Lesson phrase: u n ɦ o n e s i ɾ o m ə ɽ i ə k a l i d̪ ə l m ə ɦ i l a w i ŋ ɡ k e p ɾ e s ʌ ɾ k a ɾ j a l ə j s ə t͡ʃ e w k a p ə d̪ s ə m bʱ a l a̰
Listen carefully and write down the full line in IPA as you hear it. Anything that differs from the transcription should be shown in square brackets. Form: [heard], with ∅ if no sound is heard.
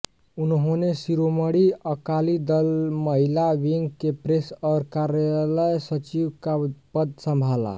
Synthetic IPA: u n ɦ o n e s i ɾ o m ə ɽ i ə k a l i d̪ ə l m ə ɦ i l a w i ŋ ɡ k e p ɾ e s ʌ ɾ k a ɾ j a l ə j s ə t͡ʃ [i] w k a p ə d̪ s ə m bʱ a l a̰